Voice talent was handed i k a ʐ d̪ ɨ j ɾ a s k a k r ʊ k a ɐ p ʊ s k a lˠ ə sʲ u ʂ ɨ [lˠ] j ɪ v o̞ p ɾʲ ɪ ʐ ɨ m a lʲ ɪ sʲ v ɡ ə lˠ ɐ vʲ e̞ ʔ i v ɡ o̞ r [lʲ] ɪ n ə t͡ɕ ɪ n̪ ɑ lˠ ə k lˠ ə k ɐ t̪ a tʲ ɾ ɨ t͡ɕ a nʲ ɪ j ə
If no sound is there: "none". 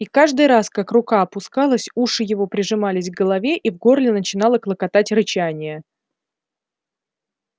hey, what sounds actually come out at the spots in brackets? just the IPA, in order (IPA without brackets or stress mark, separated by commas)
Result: none, lʲ